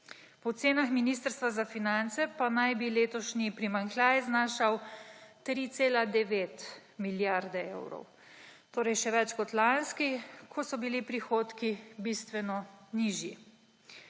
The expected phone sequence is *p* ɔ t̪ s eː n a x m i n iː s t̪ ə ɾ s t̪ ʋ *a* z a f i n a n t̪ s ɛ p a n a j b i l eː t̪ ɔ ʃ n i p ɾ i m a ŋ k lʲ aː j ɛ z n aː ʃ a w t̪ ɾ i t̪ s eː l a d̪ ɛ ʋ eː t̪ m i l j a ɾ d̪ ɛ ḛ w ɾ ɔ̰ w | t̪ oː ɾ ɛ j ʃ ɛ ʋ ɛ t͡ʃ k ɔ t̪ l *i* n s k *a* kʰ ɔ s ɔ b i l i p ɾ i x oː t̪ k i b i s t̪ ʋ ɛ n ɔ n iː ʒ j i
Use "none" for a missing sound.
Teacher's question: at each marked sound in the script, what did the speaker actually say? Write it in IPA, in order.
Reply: p, a, a, i

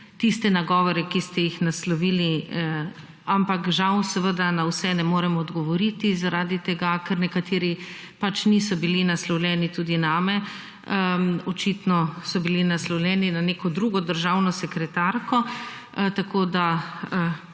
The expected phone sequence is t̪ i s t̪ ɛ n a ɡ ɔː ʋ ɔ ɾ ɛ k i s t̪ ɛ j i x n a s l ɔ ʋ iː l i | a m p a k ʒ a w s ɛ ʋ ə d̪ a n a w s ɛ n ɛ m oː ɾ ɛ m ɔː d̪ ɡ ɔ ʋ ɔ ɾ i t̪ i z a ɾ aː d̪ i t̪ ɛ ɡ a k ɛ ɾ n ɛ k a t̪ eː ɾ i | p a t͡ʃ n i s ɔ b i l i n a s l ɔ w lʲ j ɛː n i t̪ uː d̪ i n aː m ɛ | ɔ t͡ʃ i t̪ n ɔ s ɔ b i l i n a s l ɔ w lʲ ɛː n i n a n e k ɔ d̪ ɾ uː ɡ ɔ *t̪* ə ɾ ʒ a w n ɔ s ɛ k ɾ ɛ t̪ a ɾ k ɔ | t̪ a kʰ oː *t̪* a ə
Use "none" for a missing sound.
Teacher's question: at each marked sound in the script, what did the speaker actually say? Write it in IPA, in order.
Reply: d̪, d̪

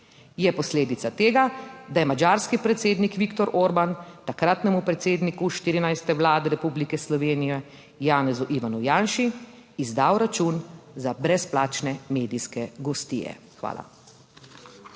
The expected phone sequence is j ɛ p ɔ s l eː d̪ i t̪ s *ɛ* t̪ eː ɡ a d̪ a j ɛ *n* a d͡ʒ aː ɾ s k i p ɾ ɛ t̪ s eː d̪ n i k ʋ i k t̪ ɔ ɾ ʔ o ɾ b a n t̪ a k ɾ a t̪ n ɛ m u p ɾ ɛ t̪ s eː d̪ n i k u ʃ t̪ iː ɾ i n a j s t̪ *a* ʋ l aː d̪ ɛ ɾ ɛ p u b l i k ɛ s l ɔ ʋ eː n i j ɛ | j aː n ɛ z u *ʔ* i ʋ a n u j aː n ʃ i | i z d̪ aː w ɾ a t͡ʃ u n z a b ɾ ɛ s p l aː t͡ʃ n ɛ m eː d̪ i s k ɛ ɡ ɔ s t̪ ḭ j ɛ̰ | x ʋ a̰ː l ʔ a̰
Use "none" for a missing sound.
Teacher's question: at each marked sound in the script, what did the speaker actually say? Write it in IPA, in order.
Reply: a, m, ɛ, ʔ

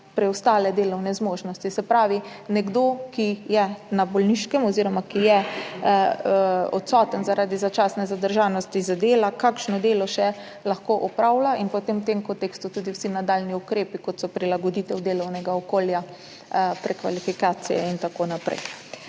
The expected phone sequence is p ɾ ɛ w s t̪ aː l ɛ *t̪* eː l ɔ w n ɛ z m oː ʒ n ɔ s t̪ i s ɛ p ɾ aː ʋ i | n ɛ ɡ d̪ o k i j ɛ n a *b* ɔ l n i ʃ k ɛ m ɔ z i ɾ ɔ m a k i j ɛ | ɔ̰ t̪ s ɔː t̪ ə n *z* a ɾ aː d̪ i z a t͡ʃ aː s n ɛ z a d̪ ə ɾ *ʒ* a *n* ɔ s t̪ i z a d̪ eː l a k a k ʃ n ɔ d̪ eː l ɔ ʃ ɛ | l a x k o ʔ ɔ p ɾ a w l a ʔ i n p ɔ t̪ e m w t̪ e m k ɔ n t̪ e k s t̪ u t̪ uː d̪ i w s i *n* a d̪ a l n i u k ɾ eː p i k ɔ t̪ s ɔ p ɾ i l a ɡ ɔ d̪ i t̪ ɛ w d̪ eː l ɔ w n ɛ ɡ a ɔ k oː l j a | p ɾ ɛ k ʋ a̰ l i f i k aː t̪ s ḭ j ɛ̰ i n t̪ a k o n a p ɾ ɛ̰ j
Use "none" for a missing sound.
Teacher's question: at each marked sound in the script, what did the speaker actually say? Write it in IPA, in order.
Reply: d̪, b, z, ʒ, n, n

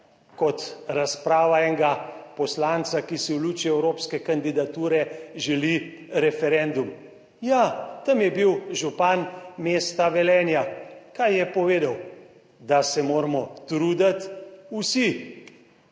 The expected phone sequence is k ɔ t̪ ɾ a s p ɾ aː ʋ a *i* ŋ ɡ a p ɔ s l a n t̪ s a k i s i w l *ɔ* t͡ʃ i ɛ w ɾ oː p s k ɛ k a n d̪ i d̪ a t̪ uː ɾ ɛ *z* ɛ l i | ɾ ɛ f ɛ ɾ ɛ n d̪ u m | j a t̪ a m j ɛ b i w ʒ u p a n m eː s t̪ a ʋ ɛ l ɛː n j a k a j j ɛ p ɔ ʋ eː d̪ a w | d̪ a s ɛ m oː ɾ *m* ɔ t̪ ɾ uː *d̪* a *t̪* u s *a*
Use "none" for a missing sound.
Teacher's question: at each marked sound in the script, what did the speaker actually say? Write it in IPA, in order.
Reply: ɛ, u, ʒ, m, d̪, t̪, i

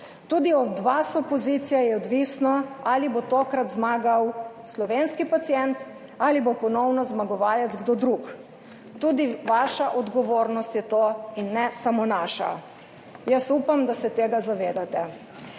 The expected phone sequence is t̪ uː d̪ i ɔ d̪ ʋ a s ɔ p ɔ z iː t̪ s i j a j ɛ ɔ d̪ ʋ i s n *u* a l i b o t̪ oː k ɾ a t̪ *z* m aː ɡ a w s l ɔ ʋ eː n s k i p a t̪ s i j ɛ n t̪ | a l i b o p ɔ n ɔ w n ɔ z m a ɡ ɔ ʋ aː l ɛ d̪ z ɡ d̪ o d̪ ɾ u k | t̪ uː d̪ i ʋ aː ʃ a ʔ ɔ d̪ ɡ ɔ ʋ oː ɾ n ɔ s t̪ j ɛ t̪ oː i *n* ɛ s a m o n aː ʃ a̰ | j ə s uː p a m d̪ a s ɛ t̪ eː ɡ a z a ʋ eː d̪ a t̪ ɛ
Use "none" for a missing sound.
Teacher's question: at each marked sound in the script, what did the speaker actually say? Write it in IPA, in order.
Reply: ɔ, z, nː

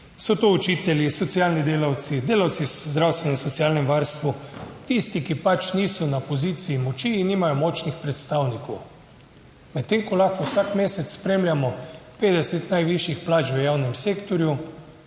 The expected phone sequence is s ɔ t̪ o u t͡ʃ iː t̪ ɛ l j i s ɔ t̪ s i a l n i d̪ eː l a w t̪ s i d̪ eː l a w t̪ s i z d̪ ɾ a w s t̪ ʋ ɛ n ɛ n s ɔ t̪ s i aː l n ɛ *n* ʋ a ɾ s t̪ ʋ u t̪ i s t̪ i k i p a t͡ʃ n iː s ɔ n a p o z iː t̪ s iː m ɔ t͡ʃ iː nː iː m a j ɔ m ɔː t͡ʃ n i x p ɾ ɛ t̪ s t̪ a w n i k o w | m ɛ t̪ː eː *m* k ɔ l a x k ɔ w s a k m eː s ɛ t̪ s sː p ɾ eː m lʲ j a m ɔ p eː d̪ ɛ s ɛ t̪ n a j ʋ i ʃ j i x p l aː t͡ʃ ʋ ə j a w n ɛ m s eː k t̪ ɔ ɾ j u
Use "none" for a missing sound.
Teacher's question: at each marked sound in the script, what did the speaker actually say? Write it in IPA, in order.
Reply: m, ŋ

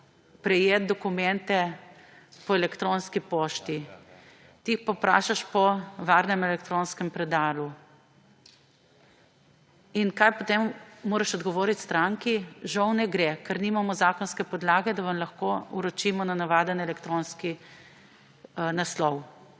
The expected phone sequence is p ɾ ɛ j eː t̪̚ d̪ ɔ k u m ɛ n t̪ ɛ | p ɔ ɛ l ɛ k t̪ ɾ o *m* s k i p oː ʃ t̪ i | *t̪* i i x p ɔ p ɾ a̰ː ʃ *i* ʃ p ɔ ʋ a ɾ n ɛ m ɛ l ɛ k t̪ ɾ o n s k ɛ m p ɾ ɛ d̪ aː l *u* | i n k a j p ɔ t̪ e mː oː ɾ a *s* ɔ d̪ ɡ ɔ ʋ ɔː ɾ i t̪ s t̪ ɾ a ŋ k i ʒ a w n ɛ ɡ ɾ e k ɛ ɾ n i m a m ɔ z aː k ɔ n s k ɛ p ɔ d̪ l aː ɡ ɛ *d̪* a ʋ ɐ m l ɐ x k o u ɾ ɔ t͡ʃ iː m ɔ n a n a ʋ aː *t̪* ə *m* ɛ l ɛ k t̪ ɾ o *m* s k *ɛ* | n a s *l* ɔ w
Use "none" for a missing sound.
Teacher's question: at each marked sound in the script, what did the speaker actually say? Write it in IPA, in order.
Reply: n, t̪, a, u, ʃ, d̪, d̪, n, n, i, l

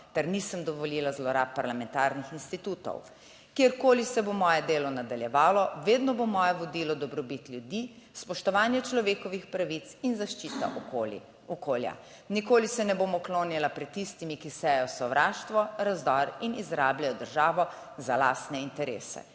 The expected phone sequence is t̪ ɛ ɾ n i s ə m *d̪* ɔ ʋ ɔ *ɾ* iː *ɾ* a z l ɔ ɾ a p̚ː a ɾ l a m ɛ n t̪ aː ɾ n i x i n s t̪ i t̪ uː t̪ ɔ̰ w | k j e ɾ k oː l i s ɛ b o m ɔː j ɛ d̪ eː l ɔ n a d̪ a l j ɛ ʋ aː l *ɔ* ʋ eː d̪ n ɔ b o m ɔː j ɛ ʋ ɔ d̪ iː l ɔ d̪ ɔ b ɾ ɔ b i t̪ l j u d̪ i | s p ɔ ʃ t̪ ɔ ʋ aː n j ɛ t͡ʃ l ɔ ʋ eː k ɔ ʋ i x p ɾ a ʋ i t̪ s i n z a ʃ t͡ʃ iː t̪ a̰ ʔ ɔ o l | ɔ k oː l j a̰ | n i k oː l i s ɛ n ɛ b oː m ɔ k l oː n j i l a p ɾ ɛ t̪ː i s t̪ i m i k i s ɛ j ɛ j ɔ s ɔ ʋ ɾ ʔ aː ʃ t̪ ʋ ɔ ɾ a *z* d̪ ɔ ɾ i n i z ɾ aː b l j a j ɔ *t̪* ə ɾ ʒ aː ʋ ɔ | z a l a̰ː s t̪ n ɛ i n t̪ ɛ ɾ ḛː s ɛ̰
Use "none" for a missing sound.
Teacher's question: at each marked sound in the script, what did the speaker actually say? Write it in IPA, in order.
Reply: d̪, l, l, ɔ, z, d̪

